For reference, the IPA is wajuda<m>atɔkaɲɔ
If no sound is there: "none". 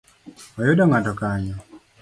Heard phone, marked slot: ŋ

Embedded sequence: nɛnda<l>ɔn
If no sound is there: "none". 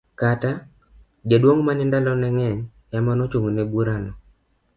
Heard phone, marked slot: l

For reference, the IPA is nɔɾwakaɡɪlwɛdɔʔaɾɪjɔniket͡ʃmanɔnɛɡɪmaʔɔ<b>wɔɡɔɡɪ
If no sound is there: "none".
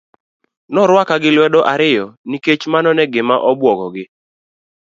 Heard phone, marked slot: b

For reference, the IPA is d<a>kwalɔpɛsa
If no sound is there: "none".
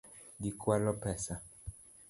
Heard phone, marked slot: i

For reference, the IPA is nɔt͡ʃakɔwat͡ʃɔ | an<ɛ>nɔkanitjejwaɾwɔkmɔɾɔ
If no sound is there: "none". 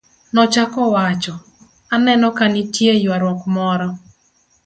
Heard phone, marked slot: ɛ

